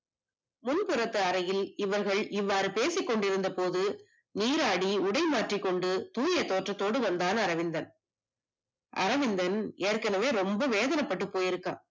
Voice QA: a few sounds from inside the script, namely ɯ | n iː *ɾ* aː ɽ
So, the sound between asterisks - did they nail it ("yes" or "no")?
yes